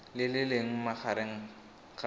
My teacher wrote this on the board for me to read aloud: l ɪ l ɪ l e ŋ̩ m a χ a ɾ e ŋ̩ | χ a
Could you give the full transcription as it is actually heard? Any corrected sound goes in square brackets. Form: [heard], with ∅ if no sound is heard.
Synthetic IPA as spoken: l ɪ l ɪ l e ŋ̩ m a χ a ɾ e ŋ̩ | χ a